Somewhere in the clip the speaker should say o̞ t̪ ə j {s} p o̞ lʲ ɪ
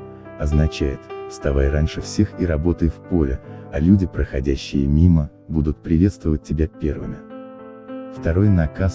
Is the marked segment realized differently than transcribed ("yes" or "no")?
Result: yes